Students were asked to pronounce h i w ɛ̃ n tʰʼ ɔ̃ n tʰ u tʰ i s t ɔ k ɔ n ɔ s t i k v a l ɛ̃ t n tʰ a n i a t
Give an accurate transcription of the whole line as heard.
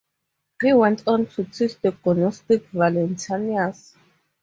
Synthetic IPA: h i w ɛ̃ n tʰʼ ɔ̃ n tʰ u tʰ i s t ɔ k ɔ n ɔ s t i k v a l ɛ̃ n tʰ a n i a s